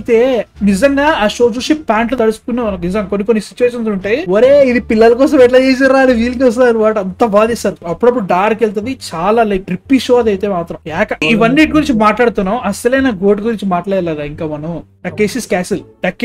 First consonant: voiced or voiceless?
voiceless